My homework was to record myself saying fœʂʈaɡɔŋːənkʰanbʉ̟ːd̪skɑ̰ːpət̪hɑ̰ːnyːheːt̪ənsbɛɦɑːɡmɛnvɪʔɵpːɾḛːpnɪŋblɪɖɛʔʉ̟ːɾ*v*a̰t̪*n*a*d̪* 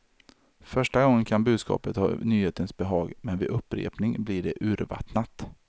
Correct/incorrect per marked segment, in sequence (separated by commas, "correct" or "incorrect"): correct, correct, incorrect